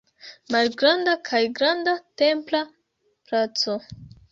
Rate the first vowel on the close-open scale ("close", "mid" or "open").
open